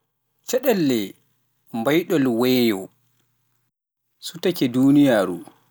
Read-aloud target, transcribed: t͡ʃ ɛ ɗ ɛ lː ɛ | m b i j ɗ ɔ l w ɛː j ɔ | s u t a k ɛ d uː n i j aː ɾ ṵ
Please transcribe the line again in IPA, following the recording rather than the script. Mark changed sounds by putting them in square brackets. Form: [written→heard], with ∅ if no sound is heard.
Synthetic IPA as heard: t͡ʃ ɛ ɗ ɛ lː ɛ | m b [i→a] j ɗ ɔ l w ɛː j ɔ | s u t a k ɛ d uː n i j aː ɾ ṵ